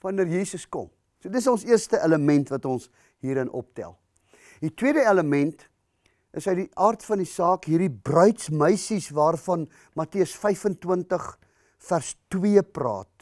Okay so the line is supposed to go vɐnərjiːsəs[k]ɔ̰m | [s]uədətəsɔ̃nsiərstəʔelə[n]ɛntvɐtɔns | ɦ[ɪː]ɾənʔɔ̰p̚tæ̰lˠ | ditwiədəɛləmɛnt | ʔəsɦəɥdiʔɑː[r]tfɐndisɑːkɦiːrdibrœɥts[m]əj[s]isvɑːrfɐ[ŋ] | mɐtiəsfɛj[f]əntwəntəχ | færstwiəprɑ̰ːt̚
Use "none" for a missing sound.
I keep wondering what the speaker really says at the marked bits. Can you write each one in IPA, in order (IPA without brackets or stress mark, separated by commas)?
k, s, m, iː, r, m, s, n, f